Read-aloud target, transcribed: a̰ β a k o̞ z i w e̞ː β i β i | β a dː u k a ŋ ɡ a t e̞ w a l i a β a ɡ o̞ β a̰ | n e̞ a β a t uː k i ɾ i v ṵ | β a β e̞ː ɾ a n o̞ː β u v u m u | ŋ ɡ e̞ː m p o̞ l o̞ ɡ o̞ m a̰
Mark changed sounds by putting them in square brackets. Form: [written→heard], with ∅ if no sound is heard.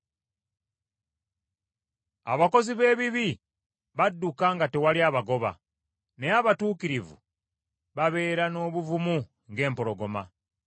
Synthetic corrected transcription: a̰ β a k o̞ z i [w→β] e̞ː β i β i | β a dː u k a ŋ ɡ a t e̞ w a l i a β a ɡ o̞ β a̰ | n e̞ a β a t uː k i ɾ i v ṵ | β a β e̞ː ɾ a n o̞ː β u v u m u | ŋ ɡ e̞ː m p o̞ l o̞ ɡ o̞ m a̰